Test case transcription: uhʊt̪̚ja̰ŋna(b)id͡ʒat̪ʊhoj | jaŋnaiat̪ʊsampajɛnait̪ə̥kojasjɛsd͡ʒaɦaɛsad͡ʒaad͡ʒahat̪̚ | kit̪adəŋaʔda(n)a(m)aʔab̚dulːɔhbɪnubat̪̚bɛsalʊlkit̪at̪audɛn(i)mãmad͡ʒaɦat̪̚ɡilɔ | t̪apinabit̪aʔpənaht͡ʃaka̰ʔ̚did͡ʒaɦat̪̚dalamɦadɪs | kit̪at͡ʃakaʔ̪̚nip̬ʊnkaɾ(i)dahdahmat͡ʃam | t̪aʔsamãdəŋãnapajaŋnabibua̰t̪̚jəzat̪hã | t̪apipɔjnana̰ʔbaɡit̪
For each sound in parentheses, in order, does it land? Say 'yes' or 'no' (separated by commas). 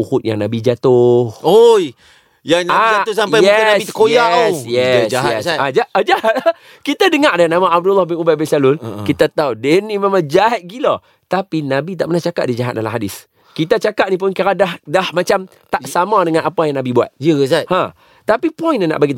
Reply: yes, yes, yes, yes, no